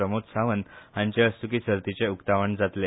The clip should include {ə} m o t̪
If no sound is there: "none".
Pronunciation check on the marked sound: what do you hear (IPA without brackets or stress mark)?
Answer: ə